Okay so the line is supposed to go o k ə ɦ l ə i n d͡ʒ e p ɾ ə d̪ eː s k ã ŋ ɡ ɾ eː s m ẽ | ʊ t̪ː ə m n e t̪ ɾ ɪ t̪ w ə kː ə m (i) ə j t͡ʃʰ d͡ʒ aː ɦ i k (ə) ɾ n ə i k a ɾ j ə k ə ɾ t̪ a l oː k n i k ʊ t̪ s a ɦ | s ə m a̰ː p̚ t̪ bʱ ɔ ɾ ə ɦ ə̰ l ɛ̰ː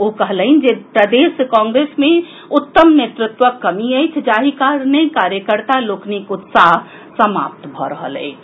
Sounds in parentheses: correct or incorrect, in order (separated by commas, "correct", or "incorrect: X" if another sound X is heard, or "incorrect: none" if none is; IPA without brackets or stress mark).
correct, incorrect: a